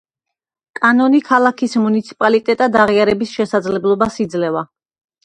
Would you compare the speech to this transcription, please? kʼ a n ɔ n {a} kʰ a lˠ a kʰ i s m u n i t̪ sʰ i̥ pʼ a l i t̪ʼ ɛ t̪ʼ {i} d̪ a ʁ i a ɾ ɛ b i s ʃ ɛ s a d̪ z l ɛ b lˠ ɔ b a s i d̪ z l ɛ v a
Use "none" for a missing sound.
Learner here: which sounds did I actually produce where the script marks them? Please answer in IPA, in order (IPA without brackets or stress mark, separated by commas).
i, a